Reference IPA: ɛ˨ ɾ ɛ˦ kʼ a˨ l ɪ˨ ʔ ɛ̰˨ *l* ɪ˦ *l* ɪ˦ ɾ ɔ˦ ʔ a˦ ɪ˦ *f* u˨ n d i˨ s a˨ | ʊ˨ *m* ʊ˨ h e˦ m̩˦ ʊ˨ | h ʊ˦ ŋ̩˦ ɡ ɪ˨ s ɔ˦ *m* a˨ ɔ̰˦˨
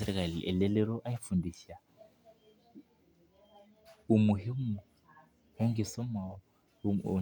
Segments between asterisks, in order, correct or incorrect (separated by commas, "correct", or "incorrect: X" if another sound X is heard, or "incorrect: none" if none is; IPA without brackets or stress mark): correct, correct, correct, correct, correct